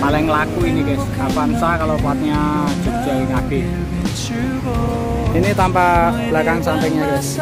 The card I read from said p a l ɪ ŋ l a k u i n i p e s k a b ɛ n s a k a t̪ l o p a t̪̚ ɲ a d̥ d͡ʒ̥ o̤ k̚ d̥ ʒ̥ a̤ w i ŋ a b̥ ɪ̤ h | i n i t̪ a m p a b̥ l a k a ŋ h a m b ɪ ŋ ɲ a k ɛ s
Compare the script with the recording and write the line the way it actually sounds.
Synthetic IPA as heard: p a l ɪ ŋ l a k u i n i k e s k a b a n s a k a l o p a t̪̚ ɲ a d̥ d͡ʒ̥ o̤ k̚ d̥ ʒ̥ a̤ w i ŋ a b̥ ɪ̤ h | i n i t̪ a m p a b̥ l a k a ŋ s a m p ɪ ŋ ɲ a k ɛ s